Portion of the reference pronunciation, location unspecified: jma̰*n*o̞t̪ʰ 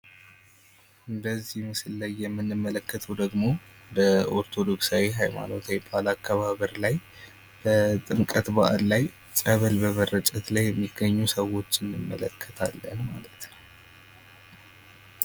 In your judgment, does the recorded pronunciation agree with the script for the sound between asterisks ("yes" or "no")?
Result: yes